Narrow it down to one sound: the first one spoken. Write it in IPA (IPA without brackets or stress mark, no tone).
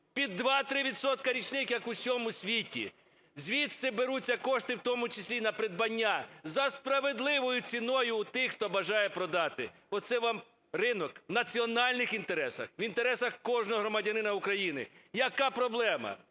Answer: pʲ